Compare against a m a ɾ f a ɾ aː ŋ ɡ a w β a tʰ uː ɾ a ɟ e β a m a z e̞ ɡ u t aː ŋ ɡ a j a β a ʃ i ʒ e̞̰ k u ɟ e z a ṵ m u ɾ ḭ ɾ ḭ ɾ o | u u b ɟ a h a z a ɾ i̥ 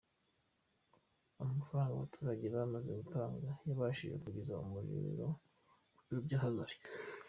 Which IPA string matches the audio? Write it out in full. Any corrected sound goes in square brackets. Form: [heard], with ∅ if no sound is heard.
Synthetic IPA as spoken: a m a [∅] f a ɾ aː ŋ ɡ a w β a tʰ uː ɾ a ɟ e β a m a z e̞ ɡ u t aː ŋ ɡ a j a β a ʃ i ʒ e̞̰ k u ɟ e z a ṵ m u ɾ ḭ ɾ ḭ ɾ o | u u b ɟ a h a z a ɾ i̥